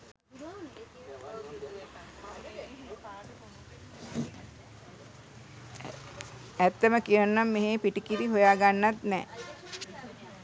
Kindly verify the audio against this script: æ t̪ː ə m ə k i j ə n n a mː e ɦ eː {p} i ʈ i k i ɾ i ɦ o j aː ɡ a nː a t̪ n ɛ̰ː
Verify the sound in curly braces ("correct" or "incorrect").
correct